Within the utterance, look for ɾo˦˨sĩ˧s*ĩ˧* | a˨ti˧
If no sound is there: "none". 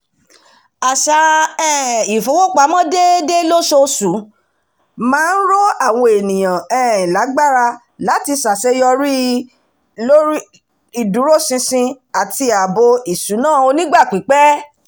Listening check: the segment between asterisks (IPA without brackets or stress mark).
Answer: ĩ˧